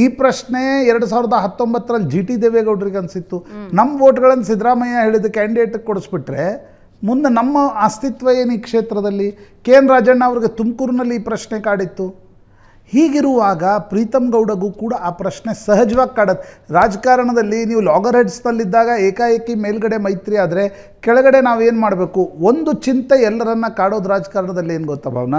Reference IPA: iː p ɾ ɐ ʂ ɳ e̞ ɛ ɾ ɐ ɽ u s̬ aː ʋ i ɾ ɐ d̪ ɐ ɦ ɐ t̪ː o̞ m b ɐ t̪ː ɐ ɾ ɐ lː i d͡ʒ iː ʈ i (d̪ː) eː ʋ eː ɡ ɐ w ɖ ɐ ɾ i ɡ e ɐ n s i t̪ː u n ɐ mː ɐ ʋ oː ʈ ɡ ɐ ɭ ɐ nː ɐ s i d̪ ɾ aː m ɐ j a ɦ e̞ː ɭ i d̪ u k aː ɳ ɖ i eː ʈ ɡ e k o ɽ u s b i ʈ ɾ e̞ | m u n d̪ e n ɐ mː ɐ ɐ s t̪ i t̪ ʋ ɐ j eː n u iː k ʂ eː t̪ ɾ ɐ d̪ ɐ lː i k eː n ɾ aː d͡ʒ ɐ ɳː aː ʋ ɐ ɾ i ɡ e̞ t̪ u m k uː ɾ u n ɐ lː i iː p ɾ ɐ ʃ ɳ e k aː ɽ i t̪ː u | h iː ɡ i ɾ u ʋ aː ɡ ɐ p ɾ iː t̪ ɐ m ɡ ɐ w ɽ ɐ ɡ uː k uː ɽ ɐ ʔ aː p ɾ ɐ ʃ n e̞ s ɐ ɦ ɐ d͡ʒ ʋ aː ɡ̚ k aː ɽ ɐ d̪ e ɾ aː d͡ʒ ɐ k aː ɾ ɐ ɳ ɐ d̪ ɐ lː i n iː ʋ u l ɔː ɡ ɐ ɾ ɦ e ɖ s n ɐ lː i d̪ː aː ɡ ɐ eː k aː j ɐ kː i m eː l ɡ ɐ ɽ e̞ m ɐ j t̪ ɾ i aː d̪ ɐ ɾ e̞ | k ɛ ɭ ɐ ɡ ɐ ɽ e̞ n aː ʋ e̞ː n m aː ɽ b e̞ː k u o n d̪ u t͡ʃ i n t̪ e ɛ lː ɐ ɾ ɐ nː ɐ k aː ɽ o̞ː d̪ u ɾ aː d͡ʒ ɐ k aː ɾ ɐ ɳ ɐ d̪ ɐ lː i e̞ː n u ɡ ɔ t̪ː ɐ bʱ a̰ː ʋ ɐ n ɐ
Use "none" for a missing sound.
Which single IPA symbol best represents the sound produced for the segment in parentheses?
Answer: d̪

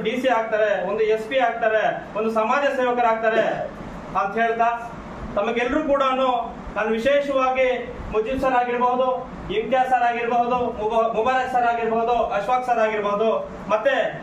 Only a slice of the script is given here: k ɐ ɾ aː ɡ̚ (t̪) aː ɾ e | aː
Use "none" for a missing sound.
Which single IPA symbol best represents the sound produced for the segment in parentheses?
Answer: t̪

